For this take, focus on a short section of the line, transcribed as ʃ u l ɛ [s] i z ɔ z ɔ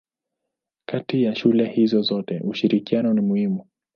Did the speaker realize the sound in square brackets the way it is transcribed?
no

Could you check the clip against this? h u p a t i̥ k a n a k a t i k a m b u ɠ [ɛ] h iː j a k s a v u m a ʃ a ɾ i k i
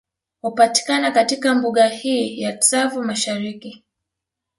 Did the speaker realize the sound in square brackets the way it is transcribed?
no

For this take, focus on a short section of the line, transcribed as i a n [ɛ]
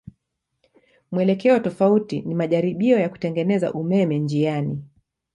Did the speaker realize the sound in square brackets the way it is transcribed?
no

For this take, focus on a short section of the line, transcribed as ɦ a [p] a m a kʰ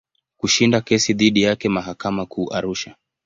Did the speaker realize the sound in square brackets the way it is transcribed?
no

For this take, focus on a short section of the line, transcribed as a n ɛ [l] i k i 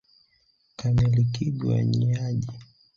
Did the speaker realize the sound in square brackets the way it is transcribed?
yes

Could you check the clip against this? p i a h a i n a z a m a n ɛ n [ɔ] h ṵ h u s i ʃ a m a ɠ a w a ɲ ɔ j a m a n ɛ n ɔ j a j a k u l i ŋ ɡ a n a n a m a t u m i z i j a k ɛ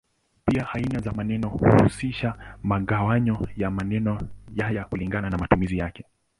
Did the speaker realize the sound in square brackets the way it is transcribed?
yes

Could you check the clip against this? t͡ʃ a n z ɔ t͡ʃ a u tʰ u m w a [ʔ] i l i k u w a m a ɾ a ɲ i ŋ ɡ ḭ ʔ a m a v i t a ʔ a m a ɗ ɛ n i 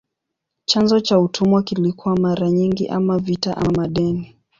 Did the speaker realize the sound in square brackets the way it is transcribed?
no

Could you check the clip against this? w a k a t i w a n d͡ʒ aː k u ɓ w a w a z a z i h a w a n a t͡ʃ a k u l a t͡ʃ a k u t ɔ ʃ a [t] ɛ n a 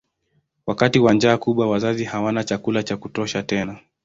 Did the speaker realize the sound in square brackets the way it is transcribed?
yes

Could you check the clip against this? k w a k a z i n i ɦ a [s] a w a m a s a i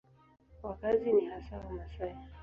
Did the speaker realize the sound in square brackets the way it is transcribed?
yes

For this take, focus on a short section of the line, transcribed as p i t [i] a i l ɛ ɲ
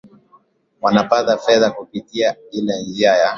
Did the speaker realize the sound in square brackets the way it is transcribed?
yes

